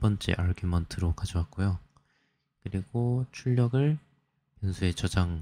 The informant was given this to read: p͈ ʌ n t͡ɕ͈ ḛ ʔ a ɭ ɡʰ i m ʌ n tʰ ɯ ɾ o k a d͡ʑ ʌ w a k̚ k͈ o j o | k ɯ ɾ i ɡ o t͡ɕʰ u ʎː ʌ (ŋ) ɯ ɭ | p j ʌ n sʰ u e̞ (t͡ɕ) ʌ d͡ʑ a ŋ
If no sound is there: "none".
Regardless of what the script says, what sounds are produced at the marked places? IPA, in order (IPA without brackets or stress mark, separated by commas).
ɡ, t͡ɕ